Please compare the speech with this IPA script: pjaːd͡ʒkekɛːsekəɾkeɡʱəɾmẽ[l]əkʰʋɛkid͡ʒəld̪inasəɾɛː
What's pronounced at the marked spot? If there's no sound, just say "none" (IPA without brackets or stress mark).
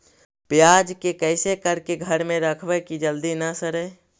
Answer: ɾ